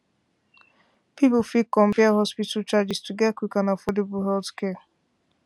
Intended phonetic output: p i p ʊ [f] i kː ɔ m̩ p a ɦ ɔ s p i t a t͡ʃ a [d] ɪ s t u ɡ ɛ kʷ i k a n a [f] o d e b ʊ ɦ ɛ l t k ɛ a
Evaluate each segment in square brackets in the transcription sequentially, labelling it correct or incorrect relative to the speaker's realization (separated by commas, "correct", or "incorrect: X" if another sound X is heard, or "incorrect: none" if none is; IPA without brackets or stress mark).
correct, incorrect: d͡ʒ, correct